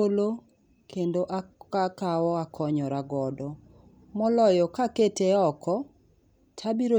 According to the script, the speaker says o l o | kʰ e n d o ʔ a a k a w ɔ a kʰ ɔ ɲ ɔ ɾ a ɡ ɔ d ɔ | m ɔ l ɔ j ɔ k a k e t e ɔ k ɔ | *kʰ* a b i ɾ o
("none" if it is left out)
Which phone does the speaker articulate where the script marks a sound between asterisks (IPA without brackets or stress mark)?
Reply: tʰ